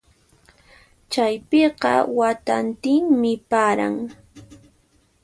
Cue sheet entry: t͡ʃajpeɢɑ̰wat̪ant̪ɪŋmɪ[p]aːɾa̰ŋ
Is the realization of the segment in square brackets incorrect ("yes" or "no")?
no